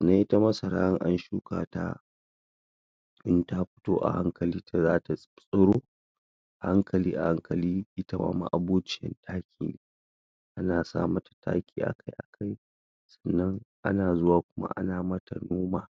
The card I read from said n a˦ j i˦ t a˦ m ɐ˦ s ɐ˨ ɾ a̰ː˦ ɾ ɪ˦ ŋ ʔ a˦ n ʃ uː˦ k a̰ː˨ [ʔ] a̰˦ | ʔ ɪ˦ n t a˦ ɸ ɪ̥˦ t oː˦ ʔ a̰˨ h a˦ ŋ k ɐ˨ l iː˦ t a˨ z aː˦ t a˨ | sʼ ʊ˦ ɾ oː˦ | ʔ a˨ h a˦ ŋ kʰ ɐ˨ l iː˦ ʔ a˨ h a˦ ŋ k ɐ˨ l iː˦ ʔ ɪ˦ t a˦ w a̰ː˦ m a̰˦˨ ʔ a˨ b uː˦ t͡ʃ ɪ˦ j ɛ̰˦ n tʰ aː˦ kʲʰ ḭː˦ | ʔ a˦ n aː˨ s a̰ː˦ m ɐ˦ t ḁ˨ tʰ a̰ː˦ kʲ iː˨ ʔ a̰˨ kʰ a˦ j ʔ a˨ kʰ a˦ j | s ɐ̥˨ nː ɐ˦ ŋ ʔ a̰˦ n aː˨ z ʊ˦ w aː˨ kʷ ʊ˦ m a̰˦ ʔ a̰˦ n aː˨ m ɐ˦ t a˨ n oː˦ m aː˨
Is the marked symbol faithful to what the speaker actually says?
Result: no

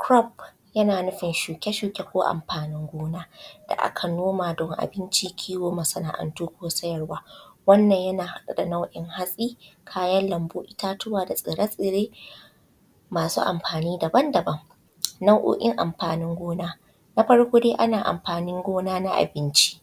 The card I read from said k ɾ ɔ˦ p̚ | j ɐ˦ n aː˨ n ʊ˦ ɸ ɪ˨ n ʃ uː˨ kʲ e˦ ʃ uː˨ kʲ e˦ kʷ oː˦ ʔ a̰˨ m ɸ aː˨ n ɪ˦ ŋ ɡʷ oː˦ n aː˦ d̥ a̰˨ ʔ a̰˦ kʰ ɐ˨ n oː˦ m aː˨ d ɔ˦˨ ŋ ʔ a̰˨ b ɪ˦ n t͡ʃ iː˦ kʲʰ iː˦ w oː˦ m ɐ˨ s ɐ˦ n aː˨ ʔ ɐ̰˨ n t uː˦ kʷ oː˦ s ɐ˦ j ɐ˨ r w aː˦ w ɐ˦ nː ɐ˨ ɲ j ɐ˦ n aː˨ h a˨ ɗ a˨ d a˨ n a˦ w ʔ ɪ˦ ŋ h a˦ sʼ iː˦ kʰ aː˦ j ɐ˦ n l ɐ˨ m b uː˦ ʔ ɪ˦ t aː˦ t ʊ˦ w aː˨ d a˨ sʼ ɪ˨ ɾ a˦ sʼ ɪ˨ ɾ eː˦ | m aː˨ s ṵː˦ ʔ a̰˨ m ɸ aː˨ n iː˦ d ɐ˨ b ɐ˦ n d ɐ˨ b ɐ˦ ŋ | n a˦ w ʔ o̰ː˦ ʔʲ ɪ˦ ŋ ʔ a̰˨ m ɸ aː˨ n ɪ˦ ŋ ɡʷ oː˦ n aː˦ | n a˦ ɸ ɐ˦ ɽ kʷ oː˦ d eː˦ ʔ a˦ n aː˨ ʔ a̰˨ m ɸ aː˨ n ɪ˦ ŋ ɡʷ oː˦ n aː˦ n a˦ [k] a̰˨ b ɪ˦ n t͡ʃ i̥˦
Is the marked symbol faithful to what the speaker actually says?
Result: no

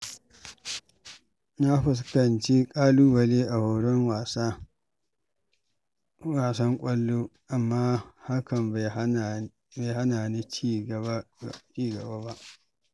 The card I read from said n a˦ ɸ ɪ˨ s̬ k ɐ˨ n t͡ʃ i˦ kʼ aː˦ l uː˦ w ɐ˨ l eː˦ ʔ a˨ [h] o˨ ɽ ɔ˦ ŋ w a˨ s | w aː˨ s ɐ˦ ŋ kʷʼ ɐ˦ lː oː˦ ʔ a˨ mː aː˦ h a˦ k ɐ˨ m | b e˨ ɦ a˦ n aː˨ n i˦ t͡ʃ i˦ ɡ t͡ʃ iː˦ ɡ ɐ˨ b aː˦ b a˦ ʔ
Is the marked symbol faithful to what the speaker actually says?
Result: yes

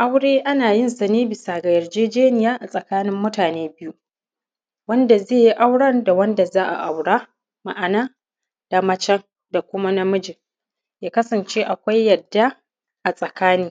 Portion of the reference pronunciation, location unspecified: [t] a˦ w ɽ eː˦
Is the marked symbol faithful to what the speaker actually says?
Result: no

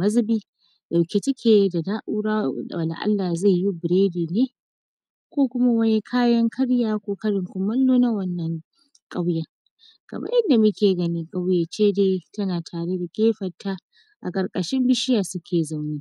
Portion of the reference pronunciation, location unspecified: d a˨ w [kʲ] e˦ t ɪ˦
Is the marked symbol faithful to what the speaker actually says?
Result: yes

